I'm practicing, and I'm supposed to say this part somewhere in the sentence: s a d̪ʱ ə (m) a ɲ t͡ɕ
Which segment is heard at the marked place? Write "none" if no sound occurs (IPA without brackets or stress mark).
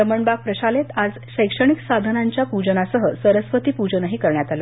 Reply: n